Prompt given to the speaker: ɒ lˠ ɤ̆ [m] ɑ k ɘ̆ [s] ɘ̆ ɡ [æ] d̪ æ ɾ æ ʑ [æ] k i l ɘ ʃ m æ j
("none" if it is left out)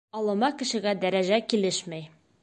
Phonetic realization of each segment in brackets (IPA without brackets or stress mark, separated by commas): m, ʃ, æ, æ